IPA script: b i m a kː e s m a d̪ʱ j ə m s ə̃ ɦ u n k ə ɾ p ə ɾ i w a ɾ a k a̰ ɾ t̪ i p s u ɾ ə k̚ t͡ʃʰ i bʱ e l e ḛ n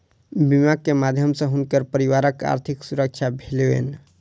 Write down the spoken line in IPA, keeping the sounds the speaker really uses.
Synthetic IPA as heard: b i m a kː e m a d̪ʱ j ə m s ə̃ ɦ u n k ə ɾ p ə ɾ i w a ɾ ə k a̰ ɾ t̪ʰ i k s u ɾ ə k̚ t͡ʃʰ a bʱ e l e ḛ n